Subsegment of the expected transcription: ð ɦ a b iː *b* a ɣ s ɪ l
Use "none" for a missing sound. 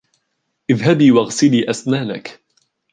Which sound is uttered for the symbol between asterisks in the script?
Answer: w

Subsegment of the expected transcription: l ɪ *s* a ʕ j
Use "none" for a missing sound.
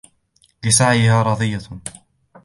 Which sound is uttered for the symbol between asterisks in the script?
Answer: s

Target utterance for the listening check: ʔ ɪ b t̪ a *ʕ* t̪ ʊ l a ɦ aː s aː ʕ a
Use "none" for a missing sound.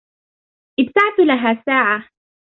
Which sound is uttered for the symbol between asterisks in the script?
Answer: ʕ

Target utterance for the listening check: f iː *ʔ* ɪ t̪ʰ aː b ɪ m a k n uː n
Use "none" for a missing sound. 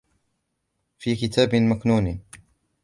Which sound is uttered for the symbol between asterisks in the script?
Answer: k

